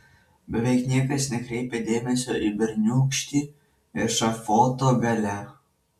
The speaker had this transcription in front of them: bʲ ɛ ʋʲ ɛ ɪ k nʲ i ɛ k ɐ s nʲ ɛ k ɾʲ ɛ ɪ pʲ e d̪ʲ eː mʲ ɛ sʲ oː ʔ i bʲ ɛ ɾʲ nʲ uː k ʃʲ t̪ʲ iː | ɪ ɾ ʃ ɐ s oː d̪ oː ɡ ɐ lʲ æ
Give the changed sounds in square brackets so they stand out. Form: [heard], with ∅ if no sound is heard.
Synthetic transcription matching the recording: bʲ ɛ ʋʲ ɛ ɪ k nʲ i ɛ k ɐ s nʲ ɛ k ɾʲ ɛ ɪ pʲ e d̪ʲ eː mʲ ɛ sʲ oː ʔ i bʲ ɛ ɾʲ nʲ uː k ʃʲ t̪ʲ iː | ɪ ɾ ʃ ɐ [f] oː [t̪] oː ɡ ɐ lʲ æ